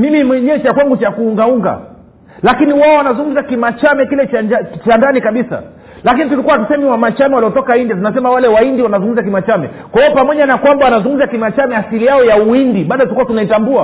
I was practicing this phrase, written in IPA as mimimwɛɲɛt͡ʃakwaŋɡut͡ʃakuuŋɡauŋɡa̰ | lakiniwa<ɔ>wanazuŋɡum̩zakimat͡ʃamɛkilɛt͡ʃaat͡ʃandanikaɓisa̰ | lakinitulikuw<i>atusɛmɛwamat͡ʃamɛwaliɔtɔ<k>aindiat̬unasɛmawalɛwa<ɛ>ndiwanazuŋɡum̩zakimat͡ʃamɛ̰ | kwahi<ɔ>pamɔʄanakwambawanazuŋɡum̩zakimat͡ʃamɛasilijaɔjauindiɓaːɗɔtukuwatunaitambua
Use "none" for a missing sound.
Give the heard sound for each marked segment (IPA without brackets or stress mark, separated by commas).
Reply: ɔ, a, k, i, ɔ